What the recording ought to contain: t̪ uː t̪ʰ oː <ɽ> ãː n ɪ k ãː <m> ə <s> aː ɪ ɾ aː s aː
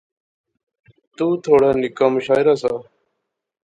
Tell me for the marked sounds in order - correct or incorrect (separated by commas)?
correct, correct, incorrect